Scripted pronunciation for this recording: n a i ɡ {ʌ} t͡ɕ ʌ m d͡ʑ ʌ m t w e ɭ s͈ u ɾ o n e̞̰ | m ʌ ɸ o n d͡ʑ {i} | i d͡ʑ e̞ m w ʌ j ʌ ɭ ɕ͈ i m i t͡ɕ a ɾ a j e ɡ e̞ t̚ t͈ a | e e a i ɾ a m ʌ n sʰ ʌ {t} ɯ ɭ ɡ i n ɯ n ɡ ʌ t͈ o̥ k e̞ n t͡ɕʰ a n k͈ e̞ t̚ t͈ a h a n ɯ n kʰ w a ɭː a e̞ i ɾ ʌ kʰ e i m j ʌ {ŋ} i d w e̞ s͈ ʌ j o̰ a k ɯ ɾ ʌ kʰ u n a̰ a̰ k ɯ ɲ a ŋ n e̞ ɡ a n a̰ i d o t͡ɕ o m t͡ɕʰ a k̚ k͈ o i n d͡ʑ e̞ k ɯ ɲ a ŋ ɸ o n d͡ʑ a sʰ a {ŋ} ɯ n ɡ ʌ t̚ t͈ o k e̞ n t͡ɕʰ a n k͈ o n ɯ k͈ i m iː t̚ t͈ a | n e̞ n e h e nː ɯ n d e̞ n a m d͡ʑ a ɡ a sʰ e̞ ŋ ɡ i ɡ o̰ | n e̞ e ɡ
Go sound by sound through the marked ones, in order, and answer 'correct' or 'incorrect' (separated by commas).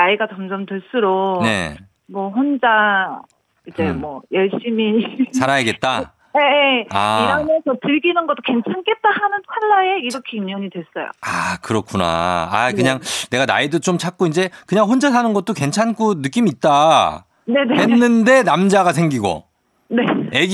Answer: incorrect, incorrect, correct, incorrect, incorrect